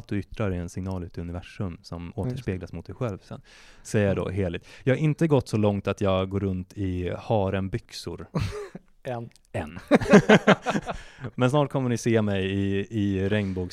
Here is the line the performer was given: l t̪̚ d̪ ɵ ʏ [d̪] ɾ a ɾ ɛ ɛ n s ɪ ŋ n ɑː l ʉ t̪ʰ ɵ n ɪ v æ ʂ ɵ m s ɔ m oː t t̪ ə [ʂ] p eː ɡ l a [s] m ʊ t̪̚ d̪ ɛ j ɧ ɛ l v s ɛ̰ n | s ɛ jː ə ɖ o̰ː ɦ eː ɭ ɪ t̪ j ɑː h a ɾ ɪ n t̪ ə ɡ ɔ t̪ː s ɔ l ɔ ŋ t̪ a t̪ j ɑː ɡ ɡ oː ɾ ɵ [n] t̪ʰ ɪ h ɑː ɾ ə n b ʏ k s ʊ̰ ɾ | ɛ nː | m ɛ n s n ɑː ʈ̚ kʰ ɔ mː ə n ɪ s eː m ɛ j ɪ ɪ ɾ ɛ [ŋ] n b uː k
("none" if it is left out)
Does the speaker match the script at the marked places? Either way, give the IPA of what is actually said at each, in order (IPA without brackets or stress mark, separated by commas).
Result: t̪, ʂ, s, n, ŋ